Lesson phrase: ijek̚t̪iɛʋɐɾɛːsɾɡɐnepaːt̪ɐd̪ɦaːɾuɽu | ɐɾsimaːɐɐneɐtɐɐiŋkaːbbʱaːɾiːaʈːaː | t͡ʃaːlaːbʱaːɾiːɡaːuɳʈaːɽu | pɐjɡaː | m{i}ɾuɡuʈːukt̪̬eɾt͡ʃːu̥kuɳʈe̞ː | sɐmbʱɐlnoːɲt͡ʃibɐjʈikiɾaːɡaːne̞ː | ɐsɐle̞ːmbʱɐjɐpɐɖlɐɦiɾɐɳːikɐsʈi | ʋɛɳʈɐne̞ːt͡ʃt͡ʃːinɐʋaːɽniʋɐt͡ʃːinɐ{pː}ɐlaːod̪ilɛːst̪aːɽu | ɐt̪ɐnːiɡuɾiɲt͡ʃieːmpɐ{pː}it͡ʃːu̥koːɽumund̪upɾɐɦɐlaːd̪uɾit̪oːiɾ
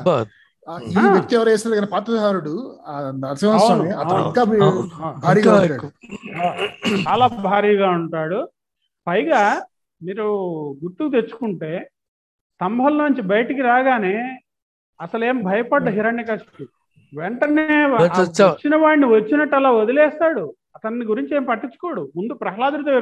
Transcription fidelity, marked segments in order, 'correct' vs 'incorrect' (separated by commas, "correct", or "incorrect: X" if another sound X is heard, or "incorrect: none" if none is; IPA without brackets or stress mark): incorrect: iː, incorrect: ʈː, incorrect: ʈː